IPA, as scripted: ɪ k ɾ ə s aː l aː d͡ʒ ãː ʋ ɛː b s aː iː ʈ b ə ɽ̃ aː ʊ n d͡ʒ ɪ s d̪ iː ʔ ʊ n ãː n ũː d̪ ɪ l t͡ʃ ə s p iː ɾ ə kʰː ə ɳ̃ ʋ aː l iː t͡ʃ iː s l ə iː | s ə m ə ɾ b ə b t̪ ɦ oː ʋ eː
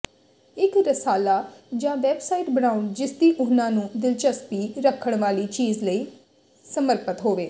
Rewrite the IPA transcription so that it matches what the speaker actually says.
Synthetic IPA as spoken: ɪ k ɾ ə s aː l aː d͡ʒ ãː ʋ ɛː b s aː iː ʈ b ə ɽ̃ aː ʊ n d͡ʒ ɪ s d̪ iː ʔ ʊ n ãː n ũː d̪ ɪ l t͡ʃ ə s p iː ɾ ə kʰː ə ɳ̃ ʋ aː l iː t͡ʃ iː z l ə iː | s ə m ə ɾ p ə t̪ ɦ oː ʋ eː